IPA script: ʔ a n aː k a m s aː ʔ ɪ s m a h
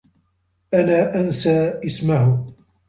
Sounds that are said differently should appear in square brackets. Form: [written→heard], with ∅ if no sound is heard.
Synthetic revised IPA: ʔ a n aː [k→ʔ] a [m→n] s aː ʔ ɪ s m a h